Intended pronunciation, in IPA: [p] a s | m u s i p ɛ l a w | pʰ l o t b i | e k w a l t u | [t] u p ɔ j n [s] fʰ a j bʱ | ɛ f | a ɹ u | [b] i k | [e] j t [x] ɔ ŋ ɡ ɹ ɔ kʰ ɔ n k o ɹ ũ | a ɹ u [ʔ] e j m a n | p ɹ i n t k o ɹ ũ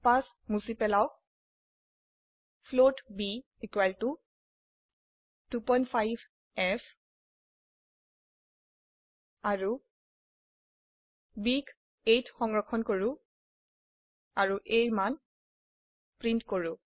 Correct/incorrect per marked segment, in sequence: correct, correct, incorrect, correct, correct, correct, correct

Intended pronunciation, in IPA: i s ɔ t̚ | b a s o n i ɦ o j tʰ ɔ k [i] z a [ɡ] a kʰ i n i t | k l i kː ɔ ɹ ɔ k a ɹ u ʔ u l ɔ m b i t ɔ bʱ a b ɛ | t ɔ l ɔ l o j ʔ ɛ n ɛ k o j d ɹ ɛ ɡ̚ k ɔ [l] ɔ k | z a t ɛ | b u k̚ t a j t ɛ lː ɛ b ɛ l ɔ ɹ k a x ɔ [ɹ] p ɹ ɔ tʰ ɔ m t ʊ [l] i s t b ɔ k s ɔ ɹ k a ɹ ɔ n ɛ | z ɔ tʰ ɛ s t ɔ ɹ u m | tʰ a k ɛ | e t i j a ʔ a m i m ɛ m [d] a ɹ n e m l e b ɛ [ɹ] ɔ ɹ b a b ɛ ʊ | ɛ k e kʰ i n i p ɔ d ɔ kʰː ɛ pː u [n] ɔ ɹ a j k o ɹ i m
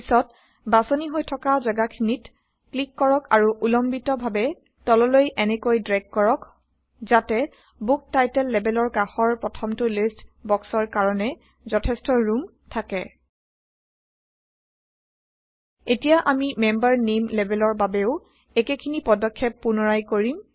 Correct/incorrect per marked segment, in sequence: incorrect, correct, incorrect, correct, correct, incorrect, incorrect, correct

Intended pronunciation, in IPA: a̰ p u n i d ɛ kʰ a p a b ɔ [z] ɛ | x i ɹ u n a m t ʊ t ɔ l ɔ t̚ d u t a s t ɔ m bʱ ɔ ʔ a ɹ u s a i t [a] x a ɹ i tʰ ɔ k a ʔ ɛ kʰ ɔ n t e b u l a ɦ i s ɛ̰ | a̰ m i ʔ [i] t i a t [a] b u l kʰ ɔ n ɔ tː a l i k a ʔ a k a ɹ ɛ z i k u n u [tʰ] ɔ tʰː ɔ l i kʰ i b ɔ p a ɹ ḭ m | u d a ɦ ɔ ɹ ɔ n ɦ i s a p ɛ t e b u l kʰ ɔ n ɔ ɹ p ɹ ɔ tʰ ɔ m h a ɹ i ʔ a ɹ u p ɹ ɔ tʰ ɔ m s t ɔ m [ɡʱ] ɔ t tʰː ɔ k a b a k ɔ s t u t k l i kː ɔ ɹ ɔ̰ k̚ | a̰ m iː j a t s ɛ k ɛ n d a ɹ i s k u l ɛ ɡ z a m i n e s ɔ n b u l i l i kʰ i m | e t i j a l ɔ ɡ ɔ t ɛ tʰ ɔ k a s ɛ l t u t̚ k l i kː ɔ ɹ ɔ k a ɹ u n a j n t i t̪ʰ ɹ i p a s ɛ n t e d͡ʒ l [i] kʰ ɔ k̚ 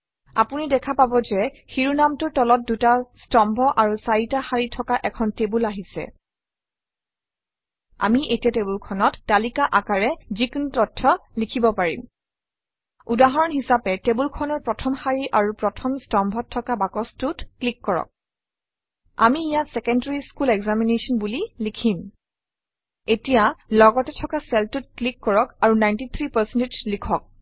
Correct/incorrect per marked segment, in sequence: correct, correct, incorrect, incorrect, incorrect, incorrect, correct

